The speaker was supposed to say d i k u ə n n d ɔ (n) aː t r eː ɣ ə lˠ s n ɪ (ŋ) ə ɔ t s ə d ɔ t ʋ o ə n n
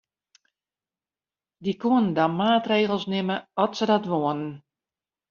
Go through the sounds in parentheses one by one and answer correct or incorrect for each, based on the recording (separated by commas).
incorrect, incorrect